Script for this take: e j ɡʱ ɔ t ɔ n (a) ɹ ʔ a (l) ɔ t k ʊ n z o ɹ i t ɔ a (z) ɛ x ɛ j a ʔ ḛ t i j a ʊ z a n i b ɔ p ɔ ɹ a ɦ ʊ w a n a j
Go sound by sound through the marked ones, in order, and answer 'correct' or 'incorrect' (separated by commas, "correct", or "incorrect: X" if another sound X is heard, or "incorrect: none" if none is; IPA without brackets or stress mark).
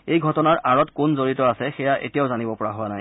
correct, incorrect: ɹ, incorrect: s